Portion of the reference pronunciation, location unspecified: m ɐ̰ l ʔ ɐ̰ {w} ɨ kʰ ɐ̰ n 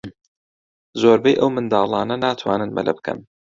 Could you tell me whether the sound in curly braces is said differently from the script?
yes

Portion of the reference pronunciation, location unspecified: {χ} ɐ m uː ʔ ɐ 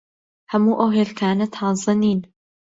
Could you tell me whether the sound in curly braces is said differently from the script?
yes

